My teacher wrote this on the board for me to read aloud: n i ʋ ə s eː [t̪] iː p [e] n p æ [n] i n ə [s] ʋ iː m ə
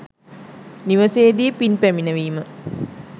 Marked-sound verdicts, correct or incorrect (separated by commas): incorrect, incorrect, incorrect, incorrect